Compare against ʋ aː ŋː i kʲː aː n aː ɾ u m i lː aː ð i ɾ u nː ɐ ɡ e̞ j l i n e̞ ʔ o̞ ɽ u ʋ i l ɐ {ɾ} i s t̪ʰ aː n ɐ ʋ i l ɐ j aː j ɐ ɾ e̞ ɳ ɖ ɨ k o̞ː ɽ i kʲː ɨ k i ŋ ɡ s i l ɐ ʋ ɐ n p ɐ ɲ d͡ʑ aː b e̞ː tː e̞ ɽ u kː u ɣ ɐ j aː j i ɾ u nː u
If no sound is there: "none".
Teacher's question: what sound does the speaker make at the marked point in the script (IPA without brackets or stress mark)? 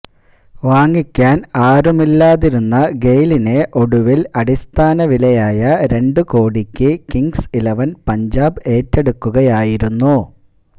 ɽ